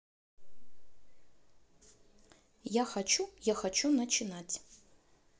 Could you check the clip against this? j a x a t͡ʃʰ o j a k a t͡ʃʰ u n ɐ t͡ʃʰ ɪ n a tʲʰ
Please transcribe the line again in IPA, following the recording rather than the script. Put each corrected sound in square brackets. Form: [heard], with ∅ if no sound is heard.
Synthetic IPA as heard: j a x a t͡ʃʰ [u] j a [x] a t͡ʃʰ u n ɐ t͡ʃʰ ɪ n a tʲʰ

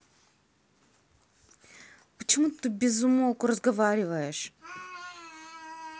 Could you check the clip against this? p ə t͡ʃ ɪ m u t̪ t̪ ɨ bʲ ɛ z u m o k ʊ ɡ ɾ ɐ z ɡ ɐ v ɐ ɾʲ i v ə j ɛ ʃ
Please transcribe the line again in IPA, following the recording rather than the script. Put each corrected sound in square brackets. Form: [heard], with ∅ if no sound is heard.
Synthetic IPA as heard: p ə t͡ʃ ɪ m u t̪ t̪ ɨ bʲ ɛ z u m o k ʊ [∅] ɾ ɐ z ɡ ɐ v [a] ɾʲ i v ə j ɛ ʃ

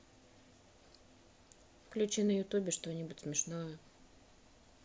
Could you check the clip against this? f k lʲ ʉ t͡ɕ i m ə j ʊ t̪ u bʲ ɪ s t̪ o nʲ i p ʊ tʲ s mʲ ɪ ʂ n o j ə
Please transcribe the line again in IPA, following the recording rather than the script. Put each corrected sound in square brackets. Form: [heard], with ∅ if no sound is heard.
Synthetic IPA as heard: f k lʲ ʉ t͡ɕ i [n] ə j ʊ t̪ u bʲ ɪ [ʂ] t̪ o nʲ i [b] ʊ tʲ s mʲ ɪ ʂ n o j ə

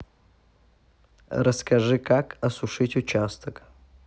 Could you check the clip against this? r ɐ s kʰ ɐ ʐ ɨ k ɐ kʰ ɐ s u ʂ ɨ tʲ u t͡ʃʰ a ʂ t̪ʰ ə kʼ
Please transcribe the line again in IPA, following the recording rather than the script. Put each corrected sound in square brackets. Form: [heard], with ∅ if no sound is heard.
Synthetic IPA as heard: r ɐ s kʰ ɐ ʐ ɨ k [a] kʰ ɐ s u ʂ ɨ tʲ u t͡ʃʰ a [s] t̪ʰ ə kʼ

